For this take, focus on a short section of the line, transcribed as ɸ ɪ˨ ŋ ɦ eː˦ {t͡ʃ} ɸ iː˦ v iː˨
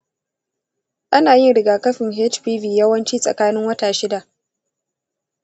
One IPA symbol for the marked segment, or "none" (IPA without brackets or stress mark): t͡ʃ